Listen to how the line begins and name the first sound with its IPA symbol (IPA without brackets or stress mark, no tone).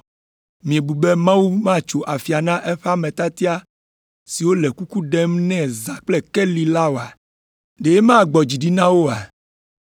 m